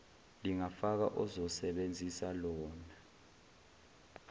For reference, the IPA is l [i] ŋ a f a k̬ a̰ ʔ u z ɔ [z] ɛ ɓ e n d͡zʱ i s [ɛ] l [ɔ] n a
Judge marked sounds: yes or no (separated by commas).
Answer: yes, no, no, no